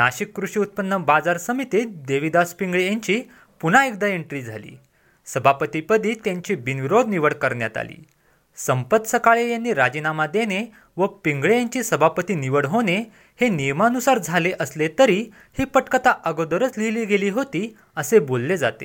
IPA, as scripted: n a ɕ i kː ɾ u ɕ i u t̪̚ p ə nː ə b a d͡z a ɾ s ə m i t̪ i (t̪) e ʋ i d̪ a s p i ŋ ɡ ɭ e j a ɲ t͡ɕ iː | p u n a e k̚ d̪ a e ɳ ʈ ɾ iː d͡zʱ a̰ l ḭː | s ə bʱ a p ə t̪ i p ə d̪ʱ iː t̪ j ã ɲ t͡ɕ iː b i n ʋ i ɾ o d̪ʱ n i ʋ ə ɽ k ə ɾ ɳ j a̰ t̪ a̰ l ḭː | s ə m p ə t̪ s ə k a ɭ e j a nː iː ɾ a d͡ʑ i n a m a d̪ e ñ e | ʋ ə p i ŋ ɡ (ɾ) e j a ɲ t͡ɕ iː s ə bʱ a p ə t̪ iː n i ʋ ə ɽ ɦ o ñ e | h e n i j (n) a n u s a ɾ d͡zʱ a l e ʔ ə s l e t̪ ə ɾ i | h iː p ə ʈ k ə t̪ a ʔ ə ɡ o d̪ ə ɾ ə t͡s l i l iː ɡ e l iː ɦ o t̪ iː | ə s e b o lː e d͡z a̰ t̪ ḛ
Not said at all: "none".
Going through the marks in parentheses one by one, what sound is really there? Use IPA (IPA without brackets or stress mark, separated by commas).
d̪, ɭ, m